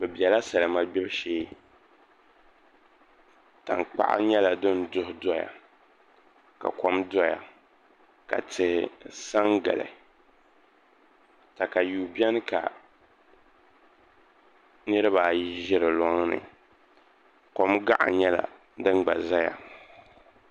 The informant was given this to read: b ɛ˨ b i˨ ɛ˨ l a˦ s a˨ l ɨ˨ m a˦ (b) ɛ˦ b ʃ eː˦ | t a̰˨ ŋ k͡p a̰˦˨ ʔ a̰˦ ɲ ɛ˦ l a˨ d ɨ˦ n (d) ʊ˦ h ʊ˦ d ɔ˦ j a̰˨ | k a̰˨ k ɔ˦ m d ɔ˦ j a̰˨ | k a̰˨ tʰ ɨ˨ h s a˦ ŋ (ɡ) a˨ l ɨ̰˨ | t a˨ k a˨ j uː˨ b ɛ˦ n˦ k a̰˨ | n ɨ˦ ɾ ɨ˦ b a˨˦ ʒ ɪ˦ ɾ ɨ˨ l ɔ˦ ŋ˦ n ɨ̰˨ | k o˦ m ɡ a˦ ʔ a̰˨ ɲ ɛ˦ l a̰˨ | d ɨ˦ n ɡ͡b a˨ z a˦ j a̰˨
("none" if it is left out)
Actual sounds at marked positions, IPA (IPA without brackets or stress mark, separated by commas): b, d, ɡ